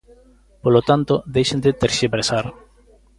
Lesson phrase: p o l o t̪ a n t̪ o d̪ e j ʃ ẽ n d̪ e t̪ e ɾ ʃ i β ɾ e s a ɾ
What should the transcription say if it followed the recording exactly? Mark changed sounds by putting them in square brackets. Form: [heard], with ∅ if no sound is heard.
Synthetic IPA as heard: p o l o t̪ a n t̪ o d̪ e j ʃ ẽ n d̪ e t̪ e ɾ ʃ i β ɾ e s a ɾ